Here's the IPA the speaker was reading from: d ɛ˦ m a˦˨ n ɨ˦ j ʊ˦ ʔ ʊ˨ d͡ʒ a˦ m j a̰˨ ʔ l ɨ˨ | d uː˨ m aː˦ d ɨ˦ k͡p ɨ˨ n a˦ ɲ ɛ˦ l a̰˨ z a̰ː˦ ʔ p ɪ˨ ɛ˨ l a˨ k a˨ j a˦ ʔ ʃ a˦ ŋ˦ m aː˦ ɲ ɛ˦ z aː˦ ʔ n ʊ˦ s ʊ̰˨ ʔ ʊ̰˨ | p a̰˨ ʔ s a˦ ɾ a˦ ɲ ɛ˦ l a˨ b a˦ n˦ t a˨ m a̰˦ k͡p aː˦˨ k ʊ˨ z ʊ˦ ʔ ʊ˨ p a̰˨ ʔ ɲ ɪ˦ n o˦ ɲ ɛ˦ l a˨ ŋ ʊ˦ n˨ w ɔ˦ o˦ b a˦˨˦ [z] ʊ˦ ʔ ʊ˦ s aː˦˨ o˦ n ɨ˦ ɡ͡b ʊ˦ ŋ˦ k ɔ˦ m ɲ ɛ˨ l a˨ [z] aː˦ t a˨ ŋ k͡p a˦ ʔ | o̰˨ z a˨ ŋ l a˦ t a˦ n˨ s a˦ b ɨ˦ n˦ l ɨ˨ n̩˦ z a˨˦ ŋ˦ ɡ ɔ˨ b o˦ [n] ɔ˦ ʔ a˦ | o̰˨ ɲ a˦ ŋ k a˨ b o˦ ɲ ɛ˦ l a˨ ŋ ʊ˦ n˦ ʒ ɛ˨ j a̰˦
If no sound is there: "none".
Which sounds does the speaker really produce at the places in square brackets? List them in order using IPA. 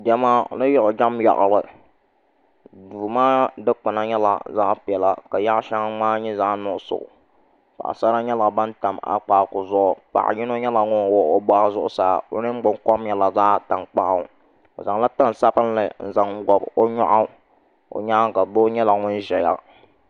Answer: z, z, ɲ

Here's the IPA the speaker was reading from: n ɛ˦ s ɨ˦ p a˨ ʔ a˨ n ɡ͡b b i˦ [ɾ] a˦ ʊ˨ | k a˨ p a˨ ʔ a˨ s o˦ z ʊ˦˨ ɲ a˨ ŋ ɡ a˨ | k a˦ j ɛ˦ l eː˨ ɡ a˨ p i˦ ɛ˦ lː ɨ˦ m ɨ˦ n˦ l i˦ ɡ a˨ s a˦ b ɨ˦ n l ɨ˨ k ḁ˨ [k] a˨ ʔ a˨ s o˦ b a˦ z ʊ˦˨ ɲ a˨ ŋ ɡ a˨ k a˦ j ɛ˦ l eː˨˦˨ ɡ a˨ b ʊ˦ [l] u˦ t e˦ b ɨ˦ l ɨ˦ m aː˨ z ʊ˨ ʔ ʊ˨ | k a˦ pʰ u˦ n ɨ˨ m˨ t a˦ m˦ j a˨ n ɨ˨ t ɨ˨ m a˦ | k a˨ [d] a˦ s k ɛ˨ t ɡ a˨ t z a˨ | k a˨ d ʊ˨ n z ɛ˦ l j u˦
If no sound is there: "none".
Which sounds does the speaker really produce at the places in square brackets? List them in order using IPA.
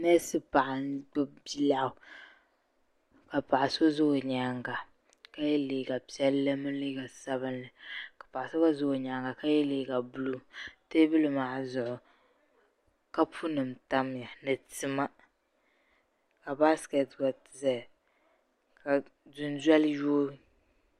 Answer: l, p, l, b

